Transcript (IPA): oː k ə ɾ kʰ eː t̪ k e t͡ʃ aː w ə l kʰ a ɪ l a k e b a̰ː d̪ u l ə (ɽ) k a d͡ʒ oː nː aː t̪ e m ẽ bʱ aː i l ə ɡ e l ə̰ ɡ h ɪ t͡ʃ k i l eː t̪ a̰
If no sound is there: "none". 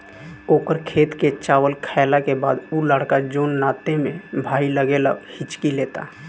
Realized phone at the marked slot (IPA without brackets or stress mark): ɽ